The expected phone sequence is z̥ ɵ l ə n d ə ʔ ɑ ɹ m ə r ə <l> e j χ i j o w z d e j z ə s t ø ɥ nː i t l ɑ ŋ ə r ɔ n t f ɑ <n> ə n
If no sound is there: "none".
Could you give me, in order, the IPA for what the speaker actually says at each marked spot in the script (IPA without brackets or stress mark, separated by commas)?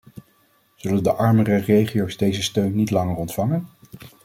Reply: r, ŋ